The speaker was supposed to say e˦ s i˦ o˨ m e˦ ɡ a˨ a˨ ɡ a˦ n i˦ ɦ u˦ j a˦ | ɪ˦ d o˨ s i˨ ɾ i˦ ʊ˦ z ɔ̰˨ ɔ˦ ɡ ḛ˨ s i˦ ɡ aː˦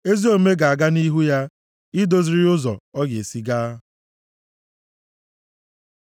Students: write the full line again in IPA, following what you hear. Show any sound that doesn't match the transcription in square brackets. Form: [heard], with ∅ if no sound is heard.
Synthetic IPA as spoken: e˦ [z] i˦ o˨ m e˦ ɡ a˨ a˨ ɡ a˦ n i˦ ɦ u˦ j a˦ | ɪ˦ d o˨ [z] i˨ ɾ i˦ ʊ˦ z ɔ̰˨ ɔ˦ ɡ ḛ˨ s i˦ ɡ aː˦